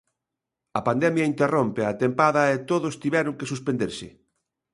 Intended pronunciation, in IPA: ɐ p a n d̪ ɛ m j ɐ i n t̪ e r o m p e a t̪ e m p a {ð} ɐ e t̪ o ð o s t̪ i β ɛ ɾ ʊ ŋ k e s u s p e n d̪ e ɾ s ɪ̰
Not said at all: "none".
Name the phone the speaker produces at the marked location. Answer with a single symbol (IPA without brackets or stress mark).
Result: ð